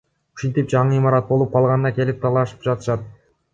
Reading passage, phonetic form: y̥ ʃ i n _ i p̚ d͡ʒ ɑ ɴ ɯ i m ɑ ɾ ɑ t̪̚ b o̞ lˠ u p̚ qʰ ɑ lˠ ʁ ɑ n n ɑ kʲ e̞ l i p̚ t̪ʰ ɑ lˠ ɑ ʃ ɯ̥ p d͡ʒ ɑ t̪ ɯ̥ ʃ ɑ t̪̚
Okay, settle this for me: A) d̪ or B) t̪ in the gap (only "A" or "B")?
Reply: B